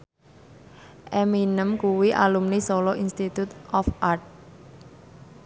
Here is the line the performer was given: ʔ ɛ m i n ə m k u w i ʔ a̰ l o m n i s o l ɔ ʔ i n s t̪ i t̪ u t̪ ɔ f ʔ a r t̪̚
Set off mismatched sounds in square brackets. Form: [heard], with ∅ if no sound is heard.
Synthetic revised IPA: ʔ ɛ m i n ə m k u w i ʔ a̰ l [u] m n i s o l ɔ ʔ i n s t̪ i t̪ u t̪ ɔ f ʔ a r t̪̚

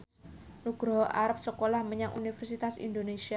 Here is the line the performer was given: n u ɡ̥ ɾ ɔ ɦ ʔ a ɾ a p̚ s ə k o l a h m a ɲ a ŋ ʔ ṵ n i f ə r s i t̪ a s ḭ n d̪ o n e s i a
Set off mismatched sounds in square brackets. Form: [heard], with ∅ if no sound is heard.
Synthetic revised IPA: n u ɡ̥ ɾ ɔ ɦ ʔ a ɾ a p̚ s ə k o l a h m [ə] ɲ a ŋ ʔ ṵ n i f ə r s i t̪ a s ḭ n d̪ o n e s i a

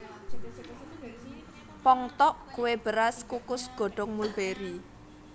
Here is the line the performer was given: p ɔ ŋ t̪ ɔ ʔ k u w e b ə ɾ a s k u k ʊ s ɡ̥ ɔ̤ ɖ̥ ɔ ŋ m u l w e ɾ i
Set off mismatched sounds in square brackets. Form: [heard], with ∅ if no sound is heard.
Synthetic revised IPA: p ɔ ŋ t̪ ɔ ʔ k u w e b ə ɾ a s k u k ʊ s ɡ̥ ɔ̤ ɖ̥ ɔ ŋ m u l [b] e ɾ i

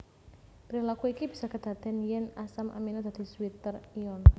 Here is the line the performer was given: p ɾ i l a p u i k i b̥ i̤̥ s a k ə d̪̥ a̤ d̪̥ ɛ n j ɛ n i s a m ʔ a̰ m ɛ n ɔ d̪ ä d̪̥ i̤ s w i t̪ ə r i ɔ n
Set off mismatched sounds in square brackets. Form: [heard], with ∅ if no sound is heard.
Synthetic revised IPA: p ɾ i l a [k] u i k i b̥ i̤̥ s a k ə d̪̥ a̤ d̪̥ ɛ n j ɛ n [a] s a m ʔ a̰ m [i] n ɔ d̪ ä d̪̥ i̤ s w i t̪ ə r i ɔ n

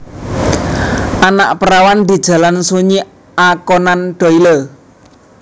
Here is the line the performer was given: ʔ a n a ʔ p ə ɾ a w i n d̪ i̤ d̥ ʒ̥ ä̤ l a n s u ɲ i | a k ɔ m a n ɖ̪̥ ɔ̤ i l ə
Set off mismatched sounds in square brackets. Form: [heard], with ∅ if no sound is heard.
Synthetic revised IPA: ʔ a n a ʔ p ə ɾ a w [a] n d̪ i̤ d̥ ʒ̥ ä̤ l a n s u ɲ i | a k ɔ [n] a n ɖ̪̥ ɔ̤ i l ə

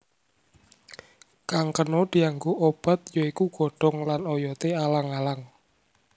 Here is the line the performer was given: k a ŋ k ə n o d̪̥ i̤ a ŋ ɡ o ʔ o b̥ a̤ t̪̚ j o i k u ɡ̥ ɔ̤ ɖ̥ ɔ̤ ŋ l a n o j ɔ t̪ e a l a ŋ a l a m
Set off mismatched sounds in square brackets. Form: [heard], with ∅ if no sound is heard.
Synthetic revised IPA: k a ŋ k ə n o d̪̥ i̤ a ŋ ɡ o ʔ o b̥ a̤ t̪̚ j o i k u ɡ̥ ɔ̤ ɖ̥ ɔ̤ ŋ l a n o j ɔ t̪ e a l a ŋ a l a [ŋ]

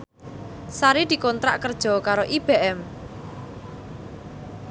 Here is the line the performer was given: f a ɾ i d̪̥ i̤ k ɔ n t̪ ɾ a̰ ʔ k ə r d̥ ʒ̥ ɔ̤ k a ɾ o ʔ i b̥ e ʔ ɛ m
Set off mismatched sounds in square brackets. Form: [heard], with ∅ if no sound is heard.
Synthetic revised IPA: [s] a ɾ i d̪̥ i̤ k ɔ n t̪ ɾ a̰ ʔ k ə r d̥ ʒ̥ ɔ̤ k a ɾ o ʔ i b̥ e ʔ ɛ m

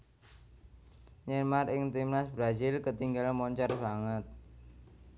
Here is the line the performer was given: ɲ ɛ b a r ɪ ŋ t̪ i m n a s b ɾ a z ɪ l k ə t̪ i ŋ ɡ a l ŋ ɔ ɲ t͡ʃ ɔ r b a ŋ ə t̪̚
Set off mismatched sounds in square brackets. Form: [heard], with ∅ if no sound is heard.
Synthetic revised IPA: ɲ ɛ [m] a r ɪ ŋ t̪ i m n a s b ɾ a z ɪ l k ə t̪ i ŋ ɡ a l [m] ɔ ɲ t͡ʃ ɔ r b a ŋ ə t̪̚

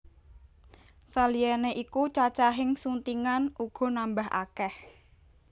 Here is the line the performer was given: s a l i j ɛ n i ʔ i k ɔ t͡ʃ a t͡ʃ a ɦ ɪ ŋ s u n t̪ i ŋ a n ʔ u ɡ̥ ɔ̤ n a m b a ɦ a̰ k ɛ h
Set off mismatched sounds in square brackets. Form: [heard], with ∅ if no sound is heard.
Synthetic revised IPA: s a l i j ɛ n [e] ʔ i k [u] t͡ʃ a t͡ʃ a ɦ ɪ ŋ s u n t̪ i ŋ a n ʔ u ɡ̥ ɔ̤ n a m b a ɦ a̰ k ɛ h

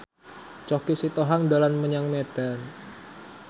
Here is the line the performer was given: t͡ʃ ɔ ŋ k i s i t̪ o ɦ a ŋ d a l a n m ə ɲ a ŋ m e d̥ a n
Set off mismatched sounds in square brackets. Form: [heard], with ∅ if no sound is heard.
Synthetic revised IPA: t͡ʃ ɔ [∅] k i s i t̪ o ɦ a ŋ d a l a n m ə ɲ a ŋ m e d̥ a n

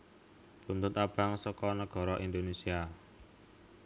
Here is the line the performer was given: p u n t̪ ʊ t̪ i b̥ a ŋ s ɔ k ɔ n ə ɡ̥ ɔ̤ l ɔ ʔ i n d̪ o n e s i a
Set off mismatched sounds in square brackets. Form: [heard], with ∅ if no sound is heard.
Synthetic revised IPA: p u n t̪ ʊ t̪ [a] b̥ a ŋ s ɔ k ɔ n ə ɡ̥ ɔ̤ [ɾ] ɔ ʔ i n d̪ o n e s i a

